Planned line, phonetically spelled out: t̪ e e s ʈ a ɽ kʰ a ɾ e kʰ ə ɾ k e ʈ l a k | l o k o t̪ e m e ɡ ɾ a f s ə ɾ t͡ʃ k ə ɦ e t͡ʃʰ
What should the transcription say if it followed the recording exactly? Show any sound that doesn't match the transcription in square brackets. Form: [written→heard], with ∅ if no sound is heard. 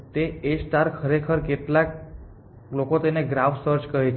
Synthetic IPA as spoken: t̪ e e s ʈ a [ɽ→ɾ] kʰ [a→ə] ɾ e kʰ ə ɾ k e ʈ l a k | l o k o t̪ e [m→n] e ɡ ɾ a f s ə ɾ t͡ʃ k ə ɦ e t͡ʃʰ